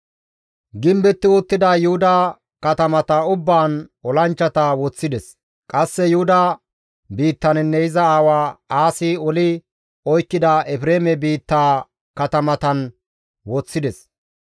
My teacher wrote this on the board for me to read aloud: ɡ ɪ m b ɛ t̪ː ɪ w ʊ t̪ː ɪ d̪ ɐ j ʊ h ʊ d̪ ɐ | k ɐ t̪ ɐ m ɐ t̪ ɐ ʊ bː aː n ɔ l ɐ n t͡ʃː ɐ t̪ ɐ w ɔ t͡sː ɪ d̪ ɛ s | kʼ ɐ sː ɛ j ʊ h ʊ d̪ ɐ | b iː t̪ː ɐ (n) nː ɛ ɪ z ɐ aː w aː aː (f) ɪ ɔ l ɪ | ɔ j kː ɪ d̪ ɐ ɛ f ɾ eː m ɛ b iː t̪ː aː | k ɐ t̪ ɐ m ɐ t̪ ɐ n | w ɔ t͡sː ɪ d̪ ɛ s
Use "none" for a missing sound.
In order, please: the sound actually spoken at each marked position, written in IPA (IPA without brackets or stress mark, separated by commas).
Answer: n, s